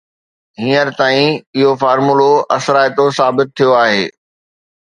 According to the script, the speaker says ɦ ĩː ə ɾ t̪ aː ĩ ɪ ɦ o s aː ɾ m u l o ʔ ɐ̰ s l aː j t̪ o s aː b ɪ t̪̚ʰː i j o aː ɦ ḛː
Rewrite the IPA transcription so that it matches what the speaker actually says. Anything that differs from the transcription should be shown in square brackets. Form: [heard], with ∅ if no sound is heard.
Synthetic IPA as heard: ɦ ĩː ə ɾ t̪ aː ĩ ɪ ɦ o [f] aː ɾ m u l o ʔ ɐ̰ s [ɾ] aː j t̪ o s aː b ɪ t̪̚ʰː i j o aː ɦ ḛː